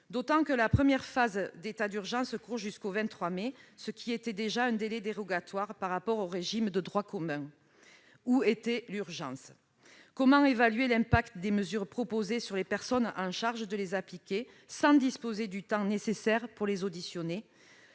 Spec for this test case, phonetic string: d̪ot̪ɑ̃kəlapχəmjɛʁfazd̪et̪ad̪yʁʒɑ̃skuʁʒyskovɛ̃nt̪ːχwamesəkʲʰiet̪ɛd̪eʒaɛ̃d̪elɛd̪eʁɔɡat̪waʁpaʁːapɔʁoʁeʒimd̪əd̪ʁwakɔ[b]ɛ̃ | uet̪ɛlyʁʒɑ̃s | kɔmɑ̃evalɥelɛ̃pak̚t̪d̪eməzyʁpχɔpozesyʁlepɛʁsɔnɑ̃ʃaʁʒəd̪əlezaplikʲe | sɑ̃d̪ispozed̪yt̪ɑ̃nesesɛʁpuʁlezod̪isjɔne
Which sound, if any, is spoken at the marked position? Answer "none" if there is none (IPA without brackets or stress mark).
m